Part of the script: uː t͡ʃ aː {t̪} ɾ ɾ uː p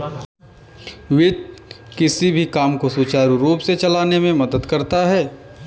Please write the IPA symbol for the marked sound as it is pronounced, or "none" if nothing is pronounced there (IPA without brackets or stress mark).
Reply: none